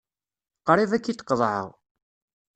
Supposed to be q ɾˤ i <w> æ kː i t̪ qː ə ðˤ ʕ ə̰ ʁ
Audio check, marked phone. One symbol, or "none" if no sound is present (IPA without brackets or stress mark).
v